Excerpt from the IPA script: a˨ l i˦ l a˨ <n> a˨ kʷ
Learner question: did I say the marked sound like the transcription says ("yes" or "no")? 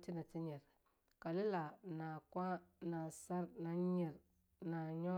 yes